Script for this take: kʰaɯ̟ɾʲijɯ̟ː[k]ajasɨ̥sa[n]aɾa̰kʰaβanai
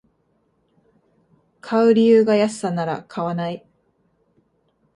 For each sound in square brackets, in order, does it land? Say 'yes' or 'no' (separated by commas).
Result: no, yes